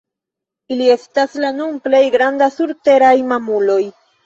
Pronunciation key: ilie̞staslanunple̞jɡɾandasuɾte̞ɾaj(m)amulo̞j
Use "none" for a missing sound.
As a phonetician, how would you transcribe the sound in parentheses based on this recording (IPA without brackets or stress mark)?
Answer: m